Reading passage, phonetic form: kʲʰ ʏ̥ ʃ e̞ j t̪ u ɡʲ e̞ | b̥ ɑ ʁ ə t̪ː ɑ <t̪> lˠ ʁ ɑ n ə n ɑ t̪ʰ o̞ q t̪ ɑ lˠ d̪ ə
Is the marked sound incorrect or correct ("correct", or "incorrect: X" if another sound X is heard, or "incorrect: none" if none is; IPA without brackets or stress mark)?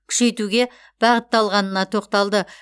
incorrect: none